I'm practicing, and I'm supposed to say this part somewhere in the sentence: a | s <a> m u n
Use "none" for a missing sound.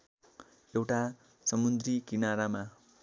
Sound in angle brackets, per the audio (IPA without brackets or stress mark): ʌ